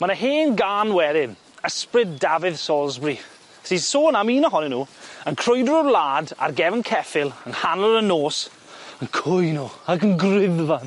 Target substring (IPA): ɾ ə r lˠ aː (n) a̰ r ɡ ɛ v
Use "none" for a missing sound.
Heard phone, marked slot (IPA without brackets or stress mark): d